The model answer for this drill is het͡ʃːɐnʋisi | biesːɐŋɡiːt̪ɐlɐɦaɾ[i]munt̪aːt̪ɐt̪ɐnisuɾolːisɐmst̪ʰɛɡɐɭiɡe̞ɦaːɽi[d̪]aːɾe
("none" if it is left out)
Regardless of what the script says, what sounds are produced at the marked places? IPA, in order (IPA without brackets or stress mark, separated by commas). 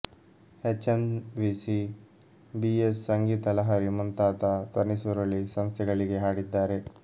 i, d̪ː